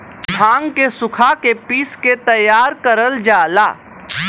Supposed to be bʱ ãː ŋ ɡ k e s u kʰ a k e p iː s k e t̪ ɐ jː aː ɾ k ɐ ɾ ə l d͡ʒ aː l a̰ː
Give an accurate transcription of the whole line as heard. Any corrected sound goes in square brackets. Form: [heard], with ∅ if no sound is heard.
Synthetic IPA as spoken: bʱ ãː ŋ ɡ k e s [ʊ] kʰ a k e p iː s k e t̪ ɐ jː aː ɾ k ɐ ɾ ə l d͡ʒ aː l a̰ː